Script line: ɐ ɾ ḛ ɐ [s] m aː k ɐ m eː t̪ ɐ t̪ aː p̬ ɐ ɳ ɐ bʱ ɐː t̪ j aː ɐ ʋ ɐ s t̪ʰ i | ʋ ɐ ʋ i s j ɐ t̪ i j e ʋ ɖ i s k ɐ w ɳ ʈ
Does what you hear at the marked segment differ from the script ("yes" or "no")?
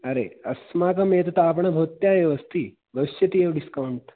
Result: no